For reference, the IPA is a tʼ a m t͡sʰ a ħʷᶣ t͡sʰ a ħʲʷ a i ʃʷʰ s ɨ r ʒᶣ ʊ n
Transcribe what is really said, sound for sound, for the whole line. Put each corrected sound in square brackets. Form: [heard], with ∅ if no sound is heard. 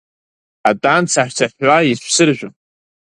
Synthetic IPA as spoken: a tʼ a [n] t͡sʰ a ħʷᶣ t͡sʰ a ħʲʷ a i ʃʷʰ s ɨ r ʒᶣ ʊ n